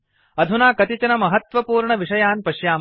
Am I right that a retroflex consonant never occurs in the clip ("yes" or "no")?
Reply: no